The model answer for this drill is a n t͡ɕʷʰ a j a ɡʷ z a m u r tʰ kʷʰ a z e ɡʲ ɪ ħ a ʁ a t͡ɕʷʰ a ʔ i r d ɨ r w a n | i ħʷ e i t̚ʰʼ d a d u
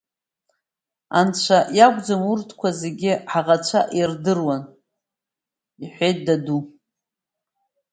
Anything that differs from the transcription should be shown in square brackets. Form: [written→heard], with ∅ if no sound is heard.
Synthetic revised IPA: a n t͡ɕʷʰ a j a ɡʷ [z→d͡z] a m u r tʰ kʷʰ a z e ɡʲ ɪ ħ a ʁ a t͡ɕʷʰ a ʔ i r d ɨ r w a n | i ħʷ e [i→j] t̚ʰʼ d a d u